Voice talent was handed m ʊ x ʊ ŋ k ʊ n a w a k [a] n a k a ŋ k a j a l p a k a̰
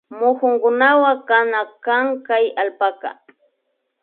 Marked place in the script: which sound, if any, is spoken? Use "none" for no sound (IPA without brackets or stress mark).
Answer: a